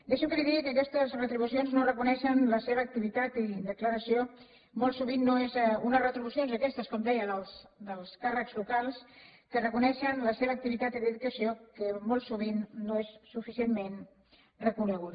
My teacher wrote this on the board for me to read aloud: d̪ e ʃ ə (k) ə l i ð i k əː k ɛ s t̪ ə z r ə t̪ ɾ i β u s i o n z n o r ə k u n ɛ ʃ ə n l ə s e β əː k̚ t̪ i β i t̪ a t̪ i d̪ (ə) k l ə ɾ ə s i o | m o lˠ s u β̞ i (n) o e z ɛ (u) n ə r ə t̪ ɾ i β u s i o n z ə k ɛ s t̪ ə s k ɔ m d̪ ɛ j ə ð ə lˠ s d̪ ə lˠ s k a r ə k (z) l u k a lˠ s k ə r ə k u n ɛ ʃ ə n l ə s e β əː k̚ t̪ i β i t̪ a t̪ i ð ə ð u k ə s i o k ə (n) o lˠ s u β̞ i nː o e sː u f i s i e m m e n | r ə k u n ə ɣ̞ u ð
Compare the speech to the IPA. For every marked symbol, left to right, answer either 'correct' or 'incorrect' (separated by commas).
correct, correct, incorrect, correct, correct, incorrect